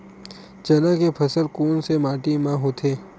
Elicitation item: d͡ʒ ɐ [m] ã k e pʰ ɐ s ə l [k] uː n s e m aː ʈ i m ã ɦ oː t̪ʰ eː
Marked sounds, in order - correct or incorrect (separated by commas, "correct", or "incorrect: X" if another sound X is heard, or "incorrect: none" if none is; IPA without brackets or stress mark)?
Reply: incorrect: n, correct